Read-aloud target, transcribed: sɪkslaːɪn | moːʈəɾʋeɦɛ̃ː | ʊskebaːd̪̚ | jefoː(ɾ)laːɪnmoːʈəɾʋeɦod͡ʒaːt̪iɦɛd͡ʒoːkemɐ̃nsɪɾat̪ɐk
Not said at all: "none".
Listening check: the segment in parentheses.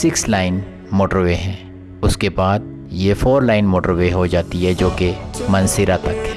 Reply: ɾ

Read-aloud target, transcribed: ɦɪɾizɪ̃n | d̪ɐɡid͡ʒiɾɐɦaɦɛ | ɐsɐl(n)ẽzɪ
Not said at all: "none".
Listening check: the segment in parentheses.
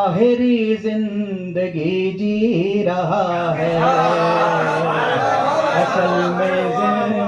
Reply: m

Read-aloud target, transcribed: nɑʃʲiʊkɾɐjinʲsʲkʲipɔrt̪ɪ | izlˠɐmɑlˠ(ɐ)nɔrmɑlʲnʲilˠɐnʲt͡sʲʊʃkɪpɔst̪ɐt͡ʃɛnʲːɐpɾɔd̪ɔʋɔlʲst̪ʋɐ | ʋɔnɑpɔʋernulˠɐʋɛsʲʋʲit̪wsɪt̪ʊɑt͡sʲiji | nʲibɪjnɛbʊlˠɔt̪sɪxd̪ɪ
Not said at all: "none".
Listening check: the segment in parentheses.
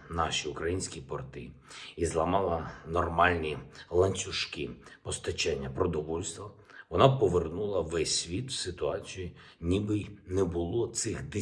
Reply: ɐ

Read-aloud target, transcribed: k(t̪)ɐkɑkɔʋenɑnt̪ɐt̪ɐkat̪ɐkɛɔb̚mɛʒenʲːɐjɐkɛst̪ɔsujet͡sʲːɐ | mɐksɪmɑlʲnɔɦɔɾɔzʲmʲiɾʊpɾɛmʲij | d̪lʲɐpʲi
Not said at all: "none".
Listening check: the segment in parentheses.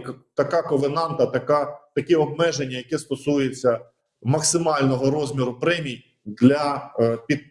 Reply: t̪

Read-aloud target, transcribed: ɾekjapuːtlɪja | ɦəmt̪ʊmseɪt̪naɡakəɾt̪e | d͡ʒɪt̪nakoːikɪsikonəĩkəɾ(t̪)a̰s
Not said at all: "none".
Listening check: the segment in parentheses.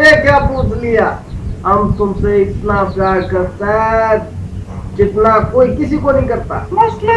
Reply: t̪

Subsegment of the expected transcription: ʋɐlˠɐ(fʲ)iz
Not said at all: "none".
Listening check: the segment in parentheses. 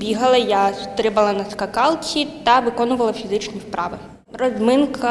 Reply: fʲ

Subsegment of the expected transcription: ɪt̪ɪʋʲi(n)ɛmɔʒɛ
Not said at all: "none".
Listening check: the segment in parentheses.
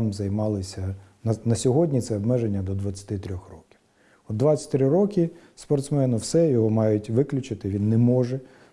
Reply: nː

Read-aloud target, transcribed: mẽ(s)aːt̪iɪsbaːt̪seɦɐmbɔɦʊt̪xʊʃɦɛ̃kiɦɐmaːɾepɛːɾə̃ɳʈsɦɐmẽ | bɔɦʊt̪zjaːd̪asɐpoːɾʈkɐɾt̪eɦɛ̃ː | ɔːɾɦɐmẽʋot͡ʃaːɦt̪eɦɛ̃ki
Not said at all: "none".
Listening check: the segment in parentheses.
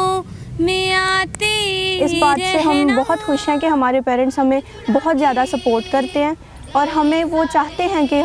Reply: none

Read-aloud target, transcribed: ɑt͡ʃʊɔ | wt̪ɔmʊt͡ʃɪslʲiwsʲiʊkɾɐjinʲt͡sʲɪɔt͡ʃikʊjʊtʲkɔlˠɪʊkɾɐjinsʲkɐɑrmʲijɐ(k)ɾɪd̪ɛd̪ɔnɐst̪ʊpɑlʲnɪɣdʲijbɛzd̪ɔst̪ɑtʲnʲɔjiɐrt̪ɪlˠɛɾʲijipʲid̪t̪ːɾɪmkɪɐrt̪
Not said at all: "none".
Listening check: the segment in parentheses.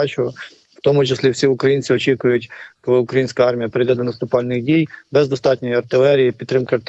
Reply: p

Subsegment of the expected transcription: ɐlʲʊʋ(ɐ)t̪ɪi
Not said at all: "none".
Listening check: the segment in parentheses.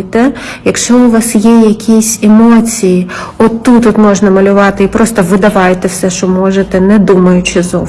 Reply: ɑ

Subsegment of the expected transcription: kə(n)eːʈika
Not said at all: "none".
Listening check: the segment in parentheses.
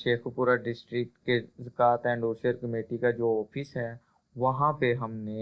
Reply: m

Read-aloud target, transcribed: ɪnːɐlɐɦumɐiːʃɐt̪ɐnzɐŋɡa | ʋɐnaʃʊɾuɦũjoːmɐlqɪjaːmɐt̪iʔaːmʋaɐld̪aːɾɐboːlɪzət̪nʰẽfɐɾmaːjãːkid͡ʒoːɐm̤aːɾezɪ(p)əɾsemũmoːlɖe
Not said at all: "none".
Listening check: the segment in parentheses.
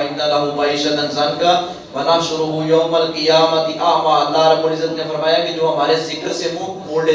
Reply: k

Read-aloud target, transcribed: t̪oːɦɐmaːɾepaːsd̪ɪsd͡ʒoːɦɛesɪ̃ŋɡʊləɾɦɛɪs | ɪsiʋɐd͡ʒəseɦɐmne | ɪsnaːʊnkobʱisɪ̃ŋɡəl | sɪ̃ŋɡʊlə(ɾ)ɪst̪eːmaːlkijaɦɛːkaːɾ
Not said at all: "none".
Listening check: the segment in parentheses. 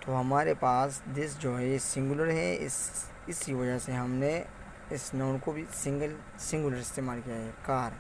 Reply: ɾ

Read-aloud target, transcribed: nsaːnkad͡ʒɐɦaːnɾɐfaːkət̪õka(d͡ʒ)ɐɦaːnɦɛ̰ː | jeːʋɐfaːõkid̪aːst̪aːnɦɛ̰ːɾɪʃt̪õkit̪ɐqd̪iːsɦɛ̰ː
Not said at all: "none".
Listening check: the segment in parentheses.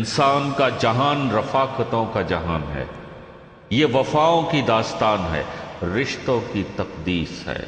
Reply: d͡ʒ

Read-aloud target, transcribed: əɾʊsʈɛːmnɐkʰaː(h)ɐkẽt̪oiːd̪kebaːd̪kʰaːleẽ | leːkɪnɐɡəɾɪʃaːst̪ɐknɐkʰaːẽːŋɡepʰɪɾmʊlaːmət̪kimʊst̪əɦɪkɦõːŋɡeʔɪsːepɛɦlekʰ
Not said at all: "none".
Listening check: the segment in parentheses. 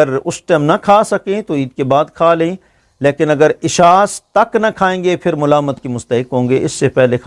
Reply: s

